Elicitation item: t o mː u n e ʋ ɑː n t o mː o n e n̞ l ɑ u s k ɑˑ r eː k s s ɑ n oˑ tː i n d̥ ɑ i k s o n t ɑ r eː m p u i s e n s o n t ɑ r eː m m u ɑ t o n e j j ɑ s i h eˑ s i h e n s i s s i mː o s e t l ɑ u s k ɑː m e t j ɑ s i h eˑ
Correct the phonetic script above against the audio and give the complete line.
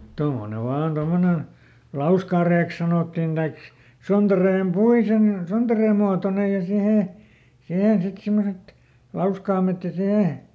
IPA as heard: t o mː o n e ʋ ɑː n t o mː o n e n̞ l ɑ u s k ɑˑ r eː k s s ɑ n oˑ tː i n d̥ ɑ i k s o n t ɑ r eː m p u i s e n s o n t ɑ r eː m m u ɑ t o n e j j ɑ s i h eˑ s i h e n s i t s i mː o s e t l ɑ u s k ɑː m e t j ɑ s i h eˑ

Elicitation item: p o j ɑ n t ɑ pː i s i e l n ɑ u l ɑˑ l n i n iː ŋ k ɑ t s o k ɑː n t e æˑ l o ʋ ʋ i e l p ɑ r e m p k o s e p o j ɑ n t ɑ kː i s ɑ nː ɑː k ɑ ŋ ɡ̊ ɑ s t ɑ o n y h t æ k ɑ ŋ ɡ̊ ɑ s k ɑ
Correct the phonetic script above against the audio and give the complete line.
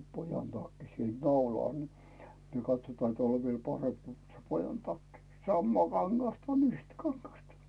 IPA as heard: p o j ɑ n t ɑ kː i s i e l n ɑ u l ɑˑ l n i n iː ŋ k ɑ t s o t ɑː n t e æˑ l o ʋ ʋ i e l p ɑ r e m p k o s e p o j ɑ n t ɑ kː i s ɑ mː ɑː k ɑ ŋ ɡ̊ ɑ s t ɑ o n y h t æ k ɑ ŋ ɡ̊ ɑ s t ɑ

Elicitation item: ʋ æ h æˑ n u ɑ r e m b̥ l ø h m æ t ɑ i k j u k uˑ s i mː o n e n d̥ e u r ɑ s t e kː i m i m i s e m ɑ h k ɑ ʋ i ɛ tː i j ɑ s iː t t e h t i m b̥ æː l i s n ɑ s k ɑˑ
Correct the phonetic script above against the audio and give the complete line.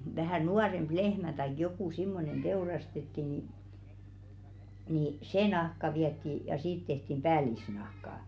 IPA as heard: ʋ æ h æˑ n u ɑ r e m b̥ l e h m æ t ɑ i k j o k uˑ s i mː o n e n d̥ e u r ɑ s t e tː i n i n i s e n ɑ h k ɑ ʋ i ɛ tː i j ɑ s iː t t e h t i m b̥ æː l i s n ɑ h k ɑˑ

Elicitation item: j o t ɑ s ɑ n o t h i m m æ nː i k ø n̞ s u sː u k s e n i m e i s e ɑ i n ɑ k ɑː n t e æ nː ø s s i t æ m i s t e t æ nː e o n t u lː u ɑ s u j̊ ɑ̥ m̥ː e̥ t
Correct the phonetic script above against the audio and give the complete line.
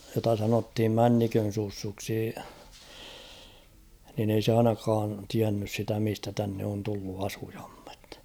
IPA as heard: j o t ɑ s ɑ n o t h i m m æ nː i k ø n̞ s u sː u k s i n i n e i s e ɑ i n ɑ k ɑː n t i æ nː y s s i t æ m i s t æ t æ nː e o n t u lː u ɑ s u j̊ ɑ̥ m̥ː e̥ t

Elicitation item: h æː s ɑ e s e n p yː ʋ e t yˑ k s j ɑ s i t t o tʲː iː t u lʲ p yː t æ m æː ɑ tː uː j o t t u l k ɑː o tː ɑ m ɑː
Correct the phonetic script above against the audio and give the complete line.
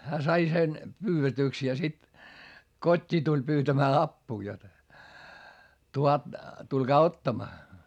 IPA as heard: h æː s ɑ i s e n p yː ʋ e t yˑ k s j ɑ s i t k o tʲː iː t u lʲ p yː t æ m æː ɑ pː uː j o t t u l k ɑː o tː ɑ m ɑː

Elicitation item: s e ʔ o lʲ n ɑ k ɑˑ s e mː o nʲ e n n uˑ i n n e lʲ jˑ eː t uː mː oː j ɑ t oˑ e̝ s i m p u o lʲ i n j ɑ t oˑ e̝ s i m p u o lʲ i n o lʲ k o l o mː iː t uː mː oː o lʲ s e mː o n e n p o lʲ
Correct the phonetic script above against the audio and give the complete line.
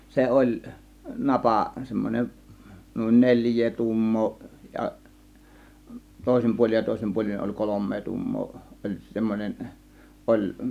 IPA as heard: s e ʔ o lʲ n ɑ p ɑˑ s e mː o nʲ e n n uˑ i n n e lʲ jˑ eː t uː mː oː j ɑ t oˑ e̝ s i m p u o lʲ i n j ɑ t oˑ e̝ s i m p u o lʲ i n o lʲ k o l o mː eː t uː mː oː o lʲ s e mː o n e n ʔ o lʲ

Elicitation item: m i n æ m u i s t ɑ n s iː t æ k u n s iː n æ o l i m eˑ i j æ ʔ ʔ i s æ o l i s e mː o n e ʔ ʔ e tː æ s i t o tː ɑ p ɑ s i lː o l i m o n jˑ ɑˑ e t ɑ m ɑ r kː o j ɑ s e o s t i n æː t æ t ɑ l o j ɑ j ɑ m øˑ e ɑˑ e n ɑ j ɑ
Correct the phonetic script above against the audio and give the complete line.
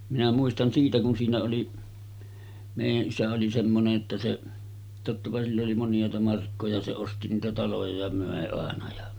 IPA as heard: m i n æ m u i s t ɑ n s iː t æ k u n s iː n æ o l i m eˑ i j æ ʔ ʔ i s æ o l i s e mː o n e ʔ ʔ e tː æ s e t o tː ɑ p ɑ s i lː o l i m o n jˑ ɑˑ e t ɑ m ɑ r kː o j ɑ s e o s t i n iː t æ t ɑ l o j ɑ j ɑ m øˑ e ɑˑ e n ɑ j ɑ

